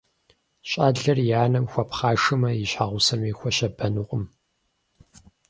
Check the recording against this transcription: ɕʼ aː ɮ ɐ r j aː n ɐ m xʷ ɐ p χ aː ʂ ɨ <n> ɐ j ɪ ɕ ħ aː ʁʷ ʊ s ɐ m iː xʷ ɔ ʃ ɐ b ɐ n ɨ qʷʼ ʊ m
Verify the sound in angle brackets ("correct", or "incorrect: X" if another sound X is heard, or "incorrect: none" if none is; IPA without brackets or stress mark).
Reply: incorrect: m